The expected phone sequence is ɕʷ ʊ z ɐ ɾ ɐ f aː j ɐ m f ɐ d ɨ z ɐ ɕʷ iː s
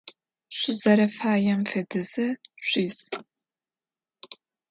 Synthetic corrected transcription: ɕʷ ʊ z ɐ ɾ ɐ f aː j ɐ m f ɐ d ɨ z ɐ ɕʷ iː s

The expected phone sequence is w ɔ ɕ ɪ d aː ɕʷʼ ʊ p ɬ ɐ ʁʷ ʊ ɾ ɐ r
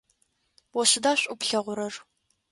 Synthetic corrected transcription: w ɔ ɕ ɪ d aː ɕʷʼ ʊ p ɬ ɐ ʁʷ ʊ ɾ ɐ r

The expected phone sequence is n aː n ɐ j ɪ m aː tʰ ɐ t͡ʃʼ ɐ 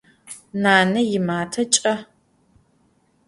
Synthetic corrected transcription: n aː n ɐ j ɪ m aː tʰ ɐ t͡ʃʼ ɐ

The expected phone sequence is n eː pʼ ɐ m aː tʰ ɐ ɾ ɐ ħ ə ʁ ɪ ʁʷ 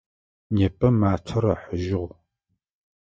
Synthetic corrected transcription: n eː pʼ ɐ m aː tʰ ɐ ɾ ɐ ħ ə ʒ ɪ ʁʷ

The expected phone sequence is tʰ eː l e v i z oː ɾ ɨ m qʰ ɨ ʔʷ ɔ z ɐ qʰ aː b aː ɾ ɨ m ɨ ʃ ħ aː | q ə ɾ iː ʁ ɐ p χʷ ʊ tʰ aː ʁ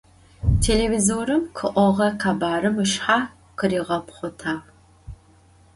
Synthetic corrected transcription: tʰ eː l e v i z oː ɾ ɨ m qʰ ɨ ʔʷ ɔ ʁ ɐ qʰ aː b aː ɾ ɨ m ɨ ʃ ħ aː | q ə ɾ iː ʁ ɐ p χʷ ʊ tʰ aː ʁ

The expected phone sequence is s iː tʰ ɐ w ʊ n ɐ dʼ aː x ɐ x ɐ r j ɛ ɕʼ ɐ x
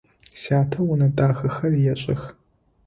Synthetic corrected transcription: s aː tʰ ɐ w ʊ n ɐ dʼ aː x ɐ x ɐ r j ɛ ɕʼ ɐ x

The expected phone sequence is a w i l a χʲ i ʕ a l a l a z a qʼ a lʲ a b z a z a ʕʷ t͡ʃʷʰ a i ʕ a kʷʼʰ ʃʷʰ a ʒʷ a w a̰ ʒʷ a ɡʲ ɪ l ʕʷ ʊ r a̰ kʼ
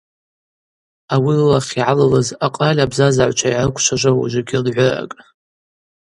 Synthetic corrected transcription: a w i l a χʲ i ʕ a l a l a z a qʼ a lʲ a b z a z a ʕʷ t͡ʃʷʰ a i ʕ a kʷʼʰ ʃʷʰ a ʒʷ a w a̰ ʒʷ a ɡʲ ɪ l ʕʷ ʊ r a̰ kʼ

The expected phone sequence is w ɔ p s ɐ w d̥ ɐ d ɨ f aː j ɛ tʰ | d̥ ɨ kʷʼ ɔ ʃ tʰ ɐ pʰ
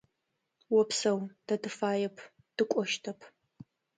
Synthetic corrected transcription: w ɔ p s ɐ w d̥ ɐ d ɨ f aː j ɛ pʰ | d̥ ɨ kʷʼ ɔ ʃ tʰ ɐ pʰ

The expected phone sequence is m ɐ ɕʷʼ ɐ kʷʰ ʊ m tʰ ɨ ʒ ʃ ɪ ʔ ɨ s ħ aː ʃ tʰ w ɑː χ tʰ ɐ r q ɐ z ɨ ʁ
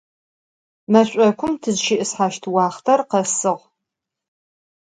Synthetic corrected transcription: m ɐ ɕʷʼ ɐ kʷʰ ʊ m tʰ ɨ z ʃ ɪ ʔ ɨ s ħ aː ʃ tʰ w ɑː χ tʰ ɐ r q ɐ s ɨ ʁ

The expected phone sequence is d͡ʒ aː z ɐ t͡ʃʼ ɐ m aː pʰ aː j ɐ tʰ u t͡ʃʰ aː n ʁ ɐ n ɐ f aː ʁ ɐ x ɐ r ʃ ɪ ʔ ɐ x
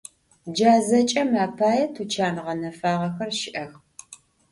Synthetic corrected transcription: d͡ʒ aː z ɐ t͡ʃʼ ɐ m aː pʰ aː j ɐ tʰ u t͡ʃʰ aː n ʁ ɐ n ɐ f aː ʁ ɐ x ɐ r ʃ ɪ ʔ ɐ x

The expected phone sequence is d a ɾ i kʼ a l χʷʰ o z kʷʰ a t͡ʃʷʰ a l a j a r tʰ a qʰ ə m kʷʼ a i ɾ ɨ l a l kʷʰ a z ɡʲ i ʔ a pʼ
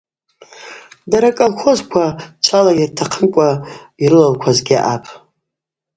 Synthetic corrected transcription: d a ɾ a kʼ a l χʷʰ o z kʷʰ a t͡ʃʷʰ a l a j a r tʰ a qʰ ə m kʷʼ a i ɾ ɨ l a l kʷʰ a z ɡʲ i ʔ a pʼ

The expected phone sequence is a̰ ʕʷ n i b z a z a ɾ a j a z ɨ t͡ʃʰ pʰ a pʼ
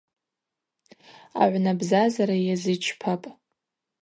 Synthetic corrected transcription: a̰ ʕʷ n a b z a z a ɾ a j a z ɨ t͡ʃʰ pʰ a pʼ

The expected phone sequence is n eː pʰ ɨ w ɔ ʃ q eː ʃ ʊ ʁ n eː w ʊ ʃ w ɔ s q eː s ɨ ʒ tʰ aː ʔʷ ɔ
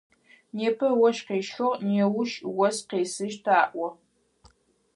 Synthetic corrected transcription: n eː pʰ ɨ w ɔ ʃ q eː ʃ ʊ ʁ n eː w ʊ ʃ w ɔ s q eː s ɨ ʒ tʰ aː ʔʷ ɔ

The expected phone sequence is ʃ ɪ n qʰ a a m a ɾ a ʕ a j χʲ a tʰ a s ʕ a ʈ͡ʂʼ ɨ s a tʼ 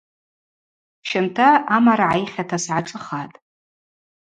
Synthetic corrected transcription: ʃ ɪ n tʰ a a m a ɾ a ʕ a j χʲ a tʰ a s ʕ a ʈ͡ʂʼ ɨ χ a tʼ

